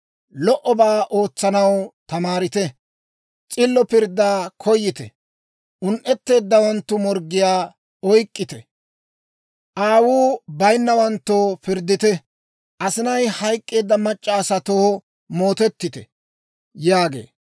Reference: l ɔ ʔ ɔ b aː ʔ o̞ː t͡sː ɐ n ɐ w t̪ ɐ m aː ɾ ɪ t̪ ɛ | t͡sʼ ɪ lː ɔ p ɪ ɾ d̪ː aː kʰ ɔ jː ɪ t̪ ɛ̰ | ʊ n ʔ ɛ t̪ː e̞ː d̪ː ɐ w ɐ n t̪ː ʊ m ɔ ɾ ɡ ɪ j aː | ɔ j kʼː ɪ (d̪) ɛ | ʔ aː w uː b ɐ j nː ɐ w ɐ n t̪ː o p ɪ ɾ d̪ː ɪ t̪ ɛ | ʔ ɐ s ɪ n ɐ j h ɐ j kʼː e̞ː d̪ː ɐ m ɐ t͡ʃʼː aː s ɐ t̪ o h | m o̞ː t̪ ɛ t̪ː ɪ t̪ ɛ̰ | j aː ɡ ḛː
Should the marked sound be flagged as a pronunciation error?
yes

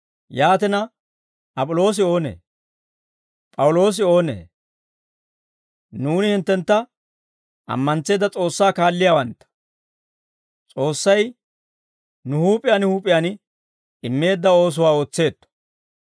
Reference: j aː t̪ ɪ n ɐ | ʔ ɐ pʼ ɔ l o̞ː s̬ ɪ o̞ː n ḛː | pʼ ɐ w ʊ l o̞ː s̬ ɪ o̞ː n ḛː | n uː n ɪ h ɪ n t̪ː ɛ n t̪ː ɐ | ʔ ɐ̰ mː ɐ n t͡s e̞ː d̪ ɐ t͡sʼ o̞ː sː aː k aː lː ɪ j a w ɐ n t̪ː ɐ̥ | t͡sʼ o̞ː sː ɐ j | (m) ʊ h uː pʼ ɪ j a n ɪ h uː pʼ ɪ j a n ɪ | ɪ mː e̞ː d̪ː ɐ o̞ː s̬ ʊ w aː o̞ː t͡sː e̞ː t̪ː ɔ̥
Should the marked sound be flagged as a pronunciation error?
yes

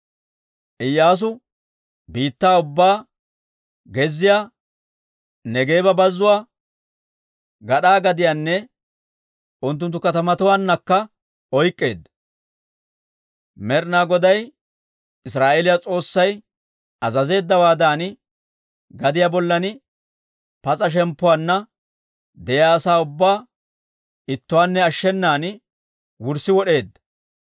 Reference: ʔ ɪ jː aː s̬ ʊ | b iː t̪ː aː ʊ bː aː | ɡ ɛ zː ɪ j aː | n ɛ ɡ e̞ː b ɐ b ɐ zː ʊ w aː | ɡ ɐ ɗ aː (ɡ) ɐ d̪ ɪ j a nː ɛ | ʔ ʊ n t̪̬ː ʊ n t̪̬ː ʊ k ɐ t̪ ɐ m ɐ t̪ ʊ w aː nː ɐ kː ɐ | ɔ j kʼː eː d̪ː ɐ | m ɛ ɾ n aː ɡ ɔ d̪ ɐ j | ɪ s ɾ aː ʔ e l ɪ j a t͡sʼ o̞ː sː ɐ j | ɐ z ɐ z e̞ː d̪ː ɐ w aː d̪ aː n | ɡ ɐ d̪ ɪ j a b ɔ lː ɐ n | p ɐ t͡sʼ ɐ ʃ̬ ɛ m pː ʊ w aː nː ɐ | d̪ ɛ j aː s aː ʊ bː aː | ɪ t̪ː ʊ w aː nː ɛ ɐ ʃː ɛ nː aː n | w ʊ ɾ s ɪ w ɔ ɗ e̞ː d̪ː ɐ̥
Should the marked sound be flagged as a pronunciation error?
no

